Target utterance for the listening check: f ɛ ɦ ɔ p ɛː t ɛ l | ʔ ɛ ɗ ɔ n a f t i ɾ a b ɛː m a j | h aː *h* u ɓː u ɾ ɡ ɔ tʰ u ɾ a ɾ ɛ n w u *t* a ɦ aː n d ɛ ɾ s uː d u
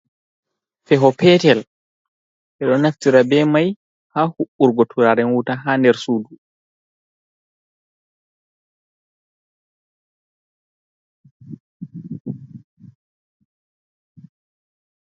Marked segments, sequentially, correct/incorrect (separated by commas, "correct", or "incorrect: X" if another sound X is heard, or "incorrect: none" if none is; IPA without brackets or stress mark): correct, correct